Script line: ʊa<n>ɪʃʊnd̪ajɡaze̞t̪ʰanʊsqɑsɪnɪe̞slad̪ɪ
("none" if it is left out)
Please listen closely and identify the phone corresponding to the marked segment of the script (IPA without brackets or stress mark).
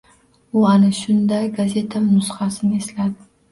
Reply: n